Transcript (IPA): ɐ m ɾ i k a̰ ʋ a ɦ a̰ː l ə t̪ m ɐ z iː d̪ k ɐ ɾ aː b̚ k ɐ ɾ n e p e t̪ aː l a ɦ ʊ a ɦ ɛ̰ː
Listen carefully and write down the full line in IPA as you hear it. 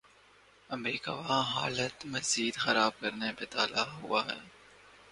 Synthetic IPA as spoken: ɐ m ɾ iː k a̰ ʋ a ɦ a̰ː l ə t̪ m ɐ z iː d̪ x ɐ ɾ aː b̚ k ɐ ɾ n e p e t̪ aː l a ɦ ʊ a ɦ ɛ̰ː